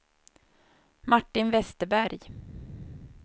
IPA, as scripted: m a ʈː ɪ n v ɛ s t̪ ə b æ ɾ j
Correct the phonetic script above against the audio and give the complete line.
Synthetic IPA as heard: m a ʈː ɪ n v ɛ s t̪ ə b æ ɾ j